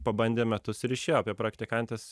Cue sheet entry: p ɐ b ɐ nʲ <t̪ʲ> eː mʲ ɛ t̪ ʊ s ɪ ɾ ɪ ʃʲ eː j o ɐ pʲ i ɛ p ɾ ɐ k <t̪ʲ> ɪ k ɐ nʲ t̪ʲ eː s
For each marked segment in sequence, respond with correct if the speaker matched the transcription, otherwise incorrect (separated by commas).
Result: incorrect, correct